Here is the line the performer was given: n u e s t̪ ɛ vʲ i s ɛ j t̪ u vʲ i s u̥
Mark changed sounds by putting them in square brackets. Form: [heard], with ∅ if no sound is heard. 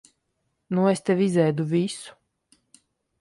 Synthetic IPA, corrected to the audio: n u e s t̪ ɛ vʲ i [z] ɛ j [d̪] u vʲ i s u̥